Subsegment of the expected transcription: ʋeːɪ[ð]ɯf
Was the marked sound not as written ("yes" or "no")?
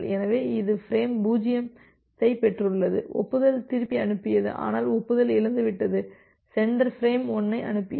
no